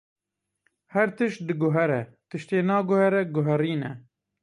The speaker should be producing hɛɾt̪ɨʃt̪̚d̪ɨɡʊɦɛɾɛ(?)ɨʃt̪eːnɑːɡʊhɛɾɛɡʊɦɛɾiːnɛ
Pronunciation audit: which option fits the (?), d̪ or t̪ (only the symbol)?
t̪